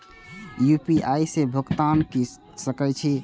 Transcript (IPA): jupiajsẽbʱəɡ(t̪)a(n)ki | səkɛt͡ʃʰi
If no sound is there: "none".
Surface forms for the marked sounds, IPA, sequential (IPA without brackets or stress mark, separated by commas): t̪, n